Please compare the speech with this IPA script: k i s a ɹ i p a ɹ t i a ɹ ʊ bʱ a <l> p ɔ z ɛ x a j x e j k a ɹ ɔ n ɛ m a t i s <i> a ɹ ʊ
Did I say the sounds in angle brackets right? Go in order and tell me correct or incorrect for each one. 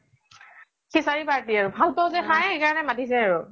correct, incorrect: ɛ

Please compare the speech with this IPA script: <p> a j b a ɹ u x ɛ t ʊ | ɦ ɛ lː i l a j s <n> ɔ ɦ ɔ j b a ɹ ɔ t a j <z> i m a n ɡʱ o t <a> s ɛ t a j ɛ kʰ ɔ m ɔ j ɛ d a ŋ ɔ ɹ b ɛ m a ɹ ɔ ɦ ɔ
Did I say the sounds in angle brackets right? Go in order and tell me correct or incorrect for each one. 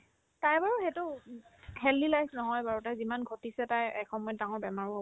incorrect: t, correct, correct, incorrect: i

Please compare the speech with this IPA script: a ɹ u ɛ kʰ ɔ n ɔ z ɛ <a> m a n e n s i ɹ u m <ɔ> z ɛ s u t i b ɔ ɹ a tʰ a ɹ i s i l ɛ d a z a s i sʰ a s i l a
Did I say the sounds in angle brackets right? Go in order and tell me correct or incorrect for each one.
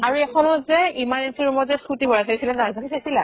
incorrect: i, correct

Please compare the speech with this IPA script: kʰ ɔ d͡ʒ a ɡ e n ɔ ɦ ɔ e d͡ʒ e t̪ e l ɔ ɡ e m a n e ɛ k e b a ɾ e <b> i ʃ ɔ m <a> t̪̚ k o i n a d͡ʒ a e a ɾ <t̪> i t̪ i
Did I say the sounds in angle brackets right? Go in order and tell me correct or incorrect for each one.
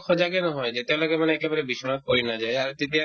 correct, correct, correct

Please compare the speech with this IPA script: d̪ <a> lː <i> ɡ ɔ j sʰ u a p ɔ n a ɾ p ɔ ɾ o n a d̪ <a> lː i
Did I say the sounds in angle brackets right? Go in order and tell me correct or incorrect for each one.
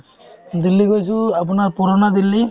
incorrect: i, correct, incorrect: i

